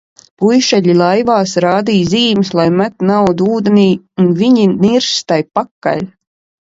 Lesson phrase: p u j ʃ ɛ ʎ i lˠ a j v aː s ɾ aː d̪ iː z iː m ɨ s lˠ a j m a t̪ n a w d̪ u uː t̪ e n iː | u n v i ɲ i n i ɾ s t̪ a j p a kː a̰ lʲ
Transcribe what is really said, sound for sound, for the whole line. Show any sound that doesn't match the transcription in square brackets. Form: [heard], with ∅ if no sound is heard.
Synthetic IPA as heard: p u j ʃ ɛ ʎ i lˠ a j v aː s ɾ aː d̪ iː z iː m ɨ s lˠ a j m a t̪ n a w d̪ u uː [d̪] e n iː | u n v i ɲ i n i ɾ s t̪ a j p a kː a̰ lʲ